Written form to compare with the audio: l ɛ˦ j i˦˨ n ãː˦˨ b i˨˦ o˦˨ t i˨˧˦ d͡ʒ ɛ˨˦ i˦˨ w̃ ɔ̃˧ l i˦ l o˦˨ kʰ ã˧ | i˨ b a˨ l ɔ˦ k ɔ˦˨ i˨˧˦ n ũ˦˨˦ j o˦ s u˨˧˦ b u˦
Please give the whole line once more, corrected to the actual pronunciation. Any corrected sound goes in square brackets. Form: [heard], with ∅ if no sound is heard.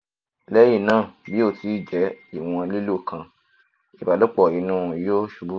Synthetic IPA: l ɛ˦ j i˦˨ n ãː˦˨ b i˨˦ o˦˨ t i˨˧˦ d͡ʒ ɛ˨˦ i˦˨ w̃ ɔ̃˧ l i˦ l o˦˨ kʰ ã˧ | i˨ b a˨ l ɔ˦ [k͡p] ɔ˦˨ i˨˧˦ n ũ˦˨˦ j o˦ [ʃ] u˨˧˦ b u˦